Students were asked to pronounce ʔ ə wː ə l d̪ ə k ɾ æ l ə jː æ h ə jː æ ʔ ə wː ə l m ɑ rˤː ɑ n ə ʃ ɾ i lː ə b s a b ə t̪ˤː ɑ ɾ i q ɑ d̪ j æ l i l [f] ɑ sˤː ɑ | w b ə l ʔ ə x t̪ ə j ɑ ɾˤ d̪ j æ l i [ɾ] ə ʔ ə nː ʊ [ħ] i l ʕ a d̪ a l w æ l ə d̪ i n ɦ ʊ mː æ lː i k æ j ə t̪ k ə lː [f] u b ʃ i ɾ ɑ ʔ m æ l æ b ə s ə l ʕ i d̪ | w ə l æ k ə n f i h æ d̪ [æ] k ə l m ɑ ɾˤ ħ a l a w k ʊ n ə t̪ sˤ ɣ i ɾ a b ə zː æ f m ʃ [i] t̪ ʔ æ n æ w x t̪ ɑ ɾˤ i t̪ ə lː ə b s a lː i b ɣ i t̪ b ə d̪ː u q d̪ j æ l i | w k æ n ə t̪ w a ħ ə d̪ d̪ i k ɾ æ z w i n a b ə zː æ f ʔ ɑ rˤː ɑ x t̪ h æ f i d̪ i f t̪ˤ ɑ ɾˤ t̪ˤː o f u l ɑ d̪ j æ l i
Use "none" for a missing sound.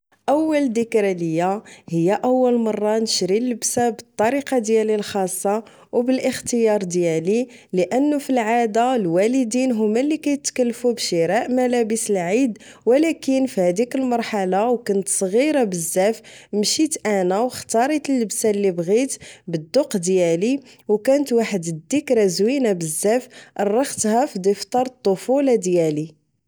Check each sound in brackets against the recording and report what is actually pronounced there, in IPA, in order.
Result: x, l, f, f, i, i

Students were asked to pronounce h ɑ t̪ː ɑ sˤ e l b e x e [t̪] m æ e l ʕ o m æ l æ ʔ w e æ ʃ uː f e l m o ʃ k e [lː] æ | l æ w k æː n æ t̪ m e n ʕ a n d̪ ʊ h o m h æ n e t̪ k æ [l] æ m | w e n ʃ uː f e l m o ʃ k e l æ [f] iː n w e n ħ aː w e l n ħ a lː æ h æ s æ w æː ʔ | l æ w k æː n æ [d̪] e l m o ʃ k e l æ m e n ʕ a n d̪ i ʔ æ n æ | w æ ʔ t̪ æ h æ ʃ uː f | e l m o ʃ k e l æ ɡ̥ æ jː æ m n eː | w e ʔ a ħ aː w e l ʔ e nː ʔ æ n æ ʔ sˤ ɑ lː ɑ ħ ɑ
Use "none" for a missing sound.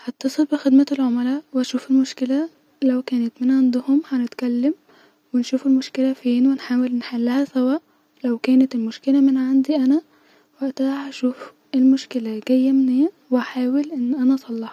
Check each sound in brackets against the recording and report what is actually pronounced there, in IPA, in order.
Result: d̪, l, lː, f, t̪

